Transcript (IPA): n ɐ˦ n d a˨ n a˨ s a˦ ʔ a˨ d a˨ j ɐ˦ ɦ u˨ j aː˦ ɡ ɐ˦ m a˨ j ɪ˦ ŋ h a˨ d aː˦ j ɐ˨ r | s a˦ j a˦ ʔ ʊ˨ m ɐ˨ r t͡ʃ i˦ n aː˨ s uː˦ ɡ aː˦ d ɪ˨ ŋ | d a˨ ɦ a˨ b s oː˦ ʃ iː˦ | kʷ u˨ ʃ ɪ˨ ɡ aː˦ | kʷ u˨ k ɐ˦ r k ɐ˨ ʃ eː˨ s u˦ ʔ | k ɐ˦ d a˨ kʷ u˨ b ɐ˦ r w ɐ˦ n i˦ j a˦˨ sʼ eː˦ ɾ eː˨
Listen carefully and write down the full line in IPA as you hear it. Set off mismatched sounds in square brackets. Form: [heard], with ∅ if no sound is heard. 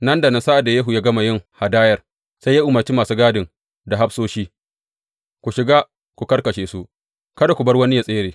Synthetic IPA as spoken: n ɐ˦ n d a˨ n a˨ s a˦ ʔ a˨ d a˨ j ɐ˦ ɦ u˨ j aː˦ ɡ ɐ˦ m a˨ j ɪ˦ ŋ h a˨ d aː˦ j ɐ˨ r | s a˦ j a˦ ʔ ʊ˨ m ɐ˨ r t͡ʃ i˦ [m] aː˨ s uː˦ ɡ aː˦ d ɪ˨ ŋ | d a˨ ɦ [a˦] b s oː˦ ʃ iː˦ | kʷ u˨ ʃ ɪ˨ ɡ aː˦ | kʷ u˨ k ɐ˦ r k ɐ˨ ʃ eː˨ s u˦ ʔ | k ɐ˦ d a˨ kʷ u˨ b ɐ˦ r w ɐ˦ n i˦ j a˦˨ sʼ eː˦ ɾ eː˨